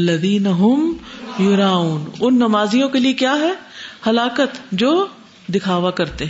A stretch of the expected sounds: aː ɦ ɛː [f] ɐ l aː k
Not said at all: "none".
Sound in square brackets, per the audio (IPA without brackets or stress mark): h